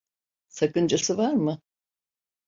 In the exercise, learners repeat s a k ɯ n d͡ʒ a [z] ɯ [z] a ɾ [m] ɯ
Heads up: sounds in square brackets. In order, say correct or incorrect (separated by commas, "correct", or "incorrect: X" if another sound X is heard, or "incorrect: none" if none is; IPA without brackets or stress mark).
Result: incorrect: s, incorrect: v, correct